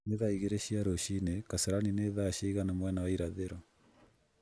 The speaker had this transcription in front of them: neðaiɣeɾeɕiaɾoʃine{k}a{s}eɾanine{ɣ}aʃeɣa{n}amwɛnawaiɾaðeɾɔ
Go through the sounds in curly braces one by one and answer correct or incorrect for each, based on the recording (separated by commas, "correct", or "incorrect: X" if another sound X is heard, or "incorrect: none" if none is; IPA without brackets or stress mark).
correct, correct, incorrect: ð, correct